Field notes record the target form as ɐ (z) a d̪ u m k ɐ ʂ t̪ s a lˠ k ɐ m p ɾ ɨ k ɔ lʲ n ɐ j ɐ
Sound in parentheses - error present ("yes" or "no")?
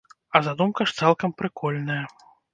no